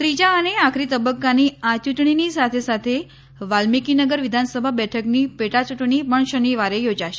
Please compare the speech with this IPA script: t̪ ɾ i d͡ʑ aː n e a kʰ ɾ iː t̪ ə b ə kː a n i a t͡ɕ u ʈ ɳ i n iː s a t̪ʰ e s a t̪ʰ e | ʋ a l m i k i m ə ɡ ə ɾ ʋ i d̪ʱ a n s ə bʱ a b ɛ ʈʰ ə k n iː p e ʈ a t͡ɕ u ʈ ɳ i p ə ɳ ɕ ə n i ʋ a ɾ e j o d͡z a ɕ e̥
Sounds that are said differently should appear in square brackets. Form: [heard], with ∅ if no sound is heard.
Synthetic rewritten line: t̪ ɾ i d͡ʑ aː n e a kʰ ɾ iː t̪ ə b ə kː a n i a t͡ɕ u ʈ ɳ i n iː s a t̪ʰ e s a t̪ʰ e | ʋ a l m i k i [n] ə ɡ ə ɾ ʋ i d̪ʱ a n s ə bʱ a b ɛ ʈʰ ə k n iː p e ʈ a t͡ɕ u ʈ ɳ i p ə ɳ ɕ ə n i ʋ a ɾ e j o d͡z a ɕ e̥

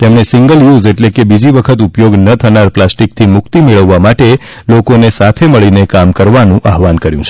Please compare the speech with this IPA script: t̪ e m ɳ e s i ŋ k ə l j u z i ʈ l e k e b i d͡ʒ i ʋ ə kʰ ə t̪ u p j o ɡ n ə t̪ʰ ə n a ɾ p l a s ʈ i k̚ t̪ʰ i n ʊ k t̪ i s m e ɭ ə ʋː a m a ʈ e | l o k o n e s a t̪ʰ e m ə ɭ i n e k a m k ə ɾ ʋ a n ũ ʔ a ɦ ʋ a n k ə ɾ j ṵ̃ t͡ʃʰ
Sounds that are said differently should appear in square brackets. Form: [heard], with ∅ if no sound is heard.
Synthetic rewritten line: t̪ e m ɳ e s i ŋ [ɡ] ə l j u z [e] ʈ l e k e b i d͡ʒ i ʋ ə kʰ ə t̪ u p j o ɡ n ə t̪ʰ ə n a ɾ p l a s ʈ i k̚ t̪ʰ i [m] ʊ k t̪ i [∅] m e ɭ ə ʋː a m a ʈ e | l o k o n e s a t̪ʰ e m ə ɭ i n e k a m k ə ɾ ʋ a n ũ ʔ a ɦ ʋ a n k ə ɾ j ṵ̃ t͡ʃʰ

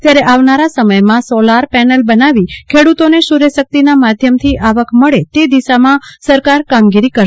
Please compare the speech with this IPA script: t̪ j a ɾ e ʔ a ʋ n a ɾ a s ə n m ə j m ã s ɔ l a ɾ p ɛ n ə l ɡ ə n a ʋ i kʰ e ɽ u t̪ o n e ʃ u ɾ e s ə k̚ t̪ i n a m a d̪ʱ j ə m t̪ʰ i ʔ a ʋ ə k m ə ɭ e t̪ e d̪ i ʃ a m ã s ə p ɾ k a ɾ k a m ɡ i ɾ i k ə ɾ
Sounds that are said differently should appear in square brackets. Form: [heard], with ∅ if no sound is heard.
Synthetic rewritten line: t̪ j a ɾ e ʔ a ʋ n a ɾ a s ə [∅] m ə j m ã s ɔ l a ɾ p ɛ n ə l [b] ə n a ʋ i kʰ e ɽ u t̪ o n e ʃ u ɾ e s ə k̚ t̪ i n a m a d̪ʱ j ə m t̪ʰ i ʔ a ʋ ə k m ə ɭ e t̪ e d̪ i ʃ a m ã s ə [∅] ɾ k a ɾ k a m ɡ i ɾ i k ə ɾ

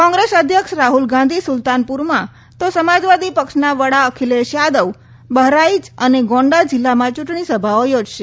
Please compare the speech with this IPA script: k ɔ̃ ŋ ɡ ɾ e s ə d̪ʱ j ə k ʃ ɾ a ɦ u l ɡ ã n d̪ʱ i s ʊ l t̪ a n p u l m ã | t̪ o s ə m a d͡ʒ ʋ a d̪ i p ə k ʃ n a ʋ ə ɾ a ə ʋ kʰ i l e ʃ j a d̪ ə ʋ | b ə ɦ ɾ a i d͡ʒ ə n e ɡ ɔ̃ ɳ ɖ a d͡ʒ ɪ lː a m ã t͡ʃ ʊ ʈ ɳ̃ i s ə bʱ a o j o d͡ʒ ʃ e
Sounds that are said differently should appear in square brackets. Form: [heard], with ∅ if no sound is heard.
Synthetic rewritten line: k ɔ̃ ŋ ɡ ɾ e s ə d̪ʱ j ə k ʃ ɾ a ɦ u l ɡ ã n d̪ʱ i s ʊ l t̪ a n p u [ɾ] m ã | t̪ o s ə m a d͡ʒ ʋ a d̪ i p ə k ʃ n a ʋ ə [ɽ] a ə [∅] kʰ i l e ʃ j a d̪ ə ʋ | b ə ɦ ɾ a i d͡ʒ ə n e ɡ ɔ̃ ɳ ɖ a d͡ʒ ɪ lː a m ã t͡ʃ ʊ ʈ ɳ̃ i s ə bʱ a o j o d͡ʒ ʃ e

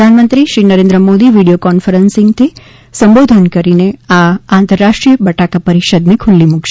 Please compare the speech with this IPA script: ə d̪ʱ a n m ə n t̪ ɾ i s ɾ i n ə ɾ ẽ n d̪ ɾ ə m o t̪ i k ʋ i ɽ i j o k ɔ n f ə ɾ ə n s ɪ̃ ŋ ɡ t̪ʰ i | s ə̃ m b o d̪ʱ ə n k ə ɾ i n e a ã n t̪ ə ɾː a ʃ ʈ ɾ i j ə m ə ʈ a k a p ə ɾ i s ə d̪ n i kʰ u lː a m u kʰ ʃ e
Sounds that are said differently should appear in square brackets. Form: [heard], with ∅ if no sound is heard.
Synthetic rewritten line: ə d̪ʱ a n m ə n t̪ ɾ i [ʃ] ɾ i n ə ɾ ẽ n d̪ ɾ ə m o [d̪] i [∅] ʋ i ɽ i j o k ɔ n f ə ɾ ə n s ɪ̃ ŋ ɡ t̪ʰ i | s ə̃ m b o d̪ʱ ə n k ə ɾ i n e a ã n t̪ ə ɾː a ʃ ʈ ɾ i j ə [b] ə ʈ a k a p ə ɾ i [ʃ] ə d̪ n i kʰ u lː [i] m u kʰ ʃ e

